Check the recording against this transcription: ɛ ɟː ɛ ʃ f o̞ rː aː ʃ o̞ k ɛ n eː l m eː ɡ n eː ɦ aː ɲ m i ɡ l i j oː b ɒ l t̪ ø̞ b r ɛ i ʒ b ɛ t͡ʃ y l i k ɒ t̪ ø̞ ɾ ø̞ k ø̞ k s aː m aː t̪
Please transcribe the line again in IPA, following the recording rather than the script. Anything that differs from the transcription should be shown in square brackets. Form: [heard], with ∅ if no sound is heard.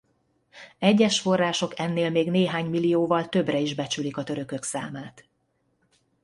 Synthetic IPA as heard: ɛ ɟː ɛ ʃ f o̞ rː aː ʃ o̞ k ɛ [nː] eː l m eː ɡ n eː ɦ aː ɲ m i [∅] l i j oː [v] ɒ l t̪ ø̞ b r ɛ i ʒ b ɛ t͡ʃ y l i k ɒ t̪ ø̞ ɾ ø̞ k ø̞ k s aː m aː t̪